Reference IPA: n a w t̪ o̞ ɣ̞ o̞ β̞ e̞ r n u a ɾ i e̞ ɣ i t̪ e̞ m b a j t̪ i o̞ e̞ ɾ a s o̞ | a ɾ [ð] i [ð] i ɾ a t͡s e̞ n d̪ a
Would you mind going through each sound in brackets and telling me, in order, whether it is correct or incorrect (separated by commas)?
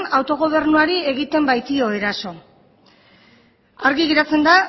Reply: incorrect, incorrect